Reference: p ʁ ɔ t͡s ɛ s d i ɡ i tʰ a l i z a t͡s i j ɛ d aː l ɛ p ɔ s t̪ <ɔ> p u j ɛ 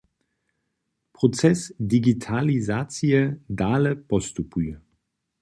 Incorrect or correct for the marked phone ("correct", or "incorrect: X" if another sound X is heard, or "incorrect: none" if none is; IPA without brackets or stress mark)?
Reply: incorrect: u